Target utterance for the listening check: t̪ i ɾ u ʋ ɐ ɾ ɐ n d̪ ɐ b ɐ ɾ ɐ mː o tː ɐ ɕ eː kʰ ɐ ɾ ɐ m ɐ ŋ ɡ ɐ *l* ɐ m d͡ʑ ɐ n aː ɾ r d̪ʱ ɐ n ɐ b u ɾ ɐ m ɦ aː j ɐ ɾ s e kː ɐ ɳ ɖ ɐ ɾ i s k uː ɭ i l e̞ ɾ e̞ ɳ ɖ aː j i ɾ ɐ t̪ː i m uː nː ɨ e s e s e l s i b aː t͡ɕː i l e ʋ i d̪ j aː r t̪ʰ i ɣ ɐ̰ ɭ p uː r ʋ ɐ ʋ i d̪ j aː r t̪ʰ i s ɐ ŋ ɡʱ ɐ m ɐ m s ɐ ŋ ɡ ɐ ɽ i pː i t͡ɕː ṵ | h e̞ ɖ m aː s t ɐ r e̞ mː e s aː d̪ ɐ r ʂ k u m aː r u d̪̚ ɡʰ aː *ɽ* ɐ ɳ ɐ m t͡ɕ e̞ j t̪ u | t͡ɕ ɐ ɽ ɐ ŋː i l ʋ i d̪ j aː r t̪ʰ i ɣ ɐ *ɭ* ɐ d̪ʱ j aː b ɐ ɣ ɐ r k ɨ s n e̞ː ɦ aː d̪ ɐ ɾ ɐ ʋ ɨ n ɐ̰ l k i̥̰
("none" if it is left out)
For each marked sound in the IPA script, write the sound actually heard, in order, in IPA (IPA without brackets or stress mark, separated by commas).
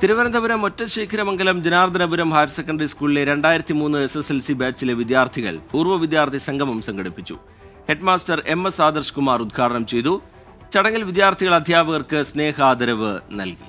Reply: l, ɽ, ɭ